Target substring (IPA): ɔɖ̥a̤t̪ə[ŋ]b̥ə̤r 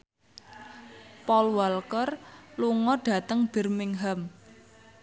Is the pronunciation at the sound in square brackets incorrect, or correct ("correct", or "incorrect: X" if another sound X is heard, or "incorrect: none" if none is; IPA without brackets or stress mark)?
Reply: correct